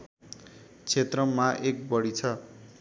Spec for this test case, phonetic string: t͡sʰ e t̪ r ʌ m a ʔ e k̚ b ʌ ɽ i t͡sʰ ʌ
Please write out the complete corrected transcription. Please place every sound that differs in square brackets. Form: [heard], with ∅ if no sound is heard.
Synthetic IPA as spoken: t͡sʰ e t̪ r ʌ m a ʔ e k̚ b ʌ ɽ i t͡sʰ ʌ